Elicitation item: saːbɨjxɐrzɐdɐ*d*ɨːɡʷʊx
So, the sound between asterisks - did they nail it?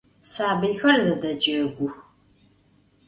no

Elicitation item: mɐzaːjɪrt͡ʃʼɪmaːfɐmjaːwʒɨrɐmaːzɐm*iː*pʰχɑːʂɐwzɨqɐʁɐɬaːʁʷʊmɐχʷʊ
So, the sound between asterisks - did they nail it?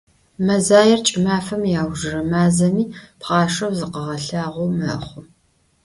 yes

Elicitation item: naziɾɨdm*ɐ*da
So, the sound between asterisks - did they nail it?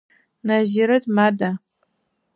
no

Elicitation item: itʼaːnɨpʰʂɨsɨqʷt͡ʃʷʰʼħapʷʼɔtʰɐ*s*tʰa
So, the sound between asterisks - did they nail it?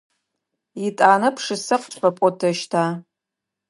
no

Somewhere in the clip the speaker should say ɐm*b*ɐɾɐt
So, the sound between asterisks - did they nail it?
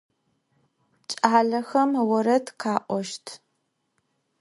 no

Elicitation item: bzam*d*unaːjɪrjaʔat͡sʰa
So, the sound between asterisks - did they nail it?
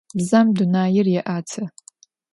yes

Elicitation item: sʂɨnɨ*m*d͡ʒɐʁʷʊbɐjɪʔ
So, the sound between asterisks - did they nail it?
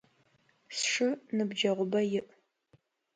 no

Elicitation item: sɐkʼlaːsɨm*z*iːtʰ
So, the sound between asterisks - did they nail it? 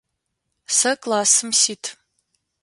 no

